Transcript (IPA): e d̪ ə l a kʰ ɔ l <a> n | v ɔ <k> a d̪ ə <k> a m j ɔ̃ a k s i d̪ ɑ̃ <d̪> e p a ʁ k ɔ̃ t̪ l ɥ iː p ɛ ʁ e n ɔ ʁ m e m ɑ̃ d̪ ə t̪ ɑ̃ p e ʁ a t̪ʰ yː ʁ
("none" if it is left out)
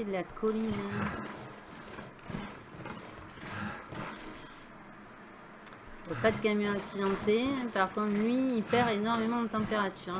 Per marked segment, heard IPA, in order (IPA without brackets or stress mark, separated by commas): i, p, k, t̪